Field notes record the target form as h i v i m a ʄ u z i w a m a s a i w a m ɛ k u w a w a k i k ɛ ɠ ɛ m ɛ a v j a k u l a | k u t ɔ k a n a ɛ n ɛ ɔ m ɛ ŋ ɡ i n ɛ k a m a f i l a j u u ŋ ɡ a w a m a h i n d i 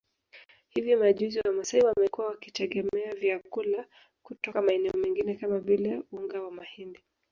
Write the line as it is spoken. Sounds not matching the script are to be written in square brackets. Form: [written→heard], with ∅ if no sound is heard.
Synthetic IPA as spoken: h i v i m a ʄ u z i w a m a s a i w a m ɛ k u w a w a k i [k→t] ɛ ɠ ɛ m ɛ a v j a k u l a | k u t ɔ k a [n→m] a ɛ n ɛ ɔ m ɛ ŋ ɡ i n ɛ k a m a [f→v] i l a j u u ŋ ɡ a w a m a h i n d i